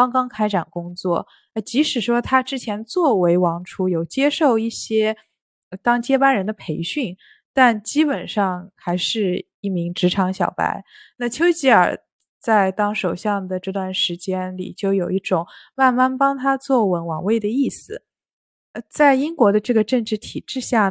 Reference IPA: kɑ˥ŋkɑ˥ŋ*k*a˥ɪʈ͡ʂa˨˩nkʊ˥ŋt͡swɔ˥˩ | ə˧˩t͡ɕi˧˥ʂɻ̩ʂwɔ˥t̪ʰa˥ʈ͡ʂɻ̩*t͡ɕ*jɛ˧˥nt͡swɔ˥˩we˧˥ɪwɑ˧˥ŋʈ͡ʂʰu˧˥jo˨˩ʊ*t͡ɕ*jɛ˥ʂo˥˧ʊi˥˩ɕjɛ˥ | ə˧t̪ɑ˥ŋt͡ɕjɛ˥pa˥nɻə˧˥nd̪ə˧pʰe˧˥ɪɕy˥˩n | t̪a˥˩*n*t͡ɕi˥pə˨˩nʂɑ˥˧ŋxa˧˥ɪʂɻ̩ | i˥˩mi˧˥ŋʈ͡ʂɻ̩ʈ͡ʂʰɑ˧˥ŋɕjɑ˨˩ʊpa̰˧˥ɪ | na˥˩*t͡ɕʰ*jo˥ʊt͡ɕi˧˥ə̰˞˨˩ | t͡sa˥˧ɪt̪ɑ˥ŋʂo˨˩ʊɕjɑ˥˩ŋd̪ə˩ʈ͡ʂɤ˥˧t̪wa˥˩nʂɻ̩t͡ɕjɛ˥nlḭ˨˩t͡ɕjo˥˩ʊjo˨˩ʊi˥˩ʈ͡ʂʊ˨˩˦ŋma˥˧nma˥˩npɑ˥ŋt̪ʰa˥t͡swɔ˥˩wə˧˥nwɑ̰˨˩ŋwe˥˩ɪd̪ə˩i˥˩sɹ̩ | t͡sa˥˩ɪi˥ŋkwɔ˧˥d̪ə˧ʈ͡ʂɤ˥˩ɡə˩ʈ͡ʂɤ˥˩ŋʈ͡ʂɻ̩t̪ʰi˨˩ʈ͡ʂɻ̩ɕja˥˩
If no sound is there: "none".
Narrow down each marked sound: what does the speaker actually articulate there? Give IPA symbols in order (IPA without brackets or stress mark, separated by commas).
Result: kʰ, t͡ɕʰ, t͡ɕ, n, t͡ɕʰ